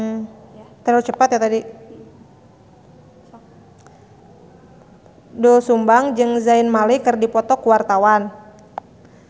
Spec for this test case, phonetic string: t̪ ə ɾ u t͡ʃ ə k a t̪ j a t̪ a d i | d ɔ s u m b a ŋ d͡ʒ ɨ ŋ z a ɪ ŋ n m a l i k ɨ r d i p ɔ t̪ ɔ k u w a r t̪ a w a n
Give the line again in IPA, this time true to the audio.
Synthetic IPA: t̪ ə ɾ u t͡ʃ ə p a t̪ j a t̪ a d i | d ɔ s u m b a ŋ d͡ʒ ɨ ŋ z a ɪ n m a l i k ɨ r d i p ɔ t̪ ɔ k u w a r t̪ a w a n